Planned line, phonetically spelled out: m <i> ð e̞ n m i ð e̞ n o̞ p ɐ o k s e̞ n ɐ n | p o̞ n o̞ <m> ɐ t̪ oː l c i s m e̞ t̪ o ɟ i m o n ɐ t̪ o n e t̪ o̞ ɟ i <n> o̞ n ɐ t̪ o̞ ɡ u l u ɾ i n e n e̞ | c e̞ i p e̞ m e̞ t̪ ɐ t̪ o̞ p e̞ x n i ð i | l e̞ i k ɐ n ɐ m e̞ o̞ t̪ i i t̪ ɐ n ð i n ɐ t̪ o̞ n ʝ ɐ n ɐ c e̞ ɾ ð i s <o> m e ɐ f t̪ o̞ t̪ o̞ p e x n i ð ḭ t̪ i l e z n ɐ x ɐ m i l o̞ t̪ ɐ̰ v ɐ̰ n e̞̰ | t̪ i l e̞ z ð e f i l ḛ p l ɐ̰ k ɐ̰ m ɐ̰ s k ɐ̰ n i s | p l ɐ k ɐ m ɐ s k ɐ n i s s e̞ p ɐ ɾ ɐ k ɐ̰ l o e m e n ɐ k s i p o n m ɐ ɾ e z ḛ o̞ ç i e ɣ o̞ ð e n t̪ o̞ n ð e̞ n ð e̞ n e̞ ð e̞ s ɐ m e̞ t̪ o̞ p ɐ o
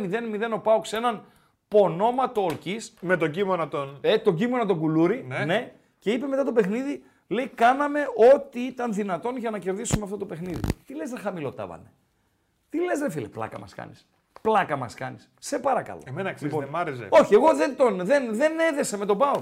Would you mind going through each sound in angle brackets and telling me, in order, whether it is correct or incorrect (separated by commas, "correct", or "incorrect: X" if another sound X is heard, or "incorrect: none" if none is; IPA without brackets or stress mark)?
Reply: correct, correct, incorrect: m, incorrect: u